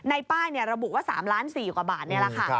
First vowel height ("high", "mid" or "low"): low